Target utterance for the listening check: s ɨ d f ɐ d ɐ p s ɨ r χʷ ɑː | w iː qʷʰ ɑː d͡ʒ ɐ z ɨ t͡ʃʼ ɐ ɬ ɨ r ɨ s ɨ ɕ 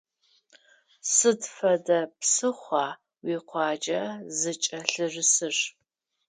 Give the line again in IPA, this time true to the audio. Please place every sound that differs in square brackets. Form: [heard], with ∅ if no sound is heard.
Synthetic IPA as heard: s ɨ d f ɐ d ɐ p s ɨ [∅] χʷ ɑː | w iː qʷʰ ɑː d͡ʒ ɐ z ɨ t͡ʃʼ ɐ ɬ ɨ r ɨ s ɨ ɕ